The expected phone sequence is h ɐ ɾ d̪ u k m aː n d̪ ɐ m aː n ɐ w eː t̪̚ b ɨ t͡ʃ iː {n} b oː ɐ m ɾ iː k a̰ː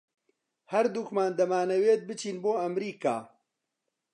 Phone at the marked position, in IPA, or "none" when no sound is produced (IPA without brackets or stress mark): n